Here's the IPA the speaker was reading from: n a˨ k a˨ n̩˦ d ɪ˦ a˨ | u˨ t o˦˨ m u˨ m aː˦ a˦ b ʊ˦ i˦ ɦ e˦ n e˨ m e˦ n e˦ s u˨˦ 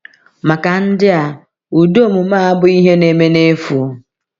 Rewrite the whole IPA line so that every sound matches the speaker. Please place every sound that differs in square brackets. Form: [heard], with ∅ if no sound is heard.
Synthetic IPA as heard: [m] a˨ k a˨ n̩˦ d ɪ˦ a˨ | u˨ [d] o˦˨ m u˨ m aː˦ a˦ b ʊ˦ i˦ ɦ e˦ n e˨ m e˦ n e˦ [f] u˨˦

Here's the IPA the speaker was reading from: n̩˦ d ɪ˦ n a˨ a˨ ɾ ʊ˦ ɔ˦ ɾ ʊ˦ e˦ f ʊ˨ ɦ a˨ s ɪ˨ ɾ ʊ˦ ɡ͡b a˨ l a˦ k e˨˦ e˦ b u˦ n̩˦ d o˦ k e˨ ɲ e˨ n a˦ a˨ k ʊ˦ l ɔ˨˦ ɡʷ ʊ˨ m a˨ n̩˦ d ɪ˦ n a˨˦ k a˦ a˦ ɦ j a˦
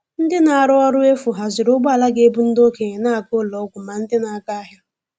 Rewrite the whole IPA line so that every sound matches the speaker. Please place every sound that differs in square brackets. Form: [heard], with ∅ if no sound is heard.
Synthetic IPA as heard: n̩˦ d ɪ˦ n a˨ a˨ ɾ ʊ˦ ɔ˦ ɾ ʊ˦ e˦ f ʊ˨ ɦ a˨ [z] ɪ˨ ɾ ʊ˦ ɡ͡b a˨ l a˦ [ɡ] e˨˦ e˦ b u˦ n̩˦ d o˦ k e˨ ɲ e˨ n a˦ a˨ k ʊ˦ l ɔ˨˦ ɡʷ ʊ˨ m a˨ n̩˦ d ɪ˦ n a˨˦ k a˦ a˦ ɦ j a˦

